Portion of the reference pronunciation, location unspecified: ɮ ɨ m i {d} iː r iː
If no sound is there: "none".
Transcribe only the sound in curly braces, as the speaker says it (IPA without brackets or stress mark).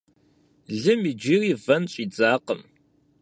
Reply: d͡ʒ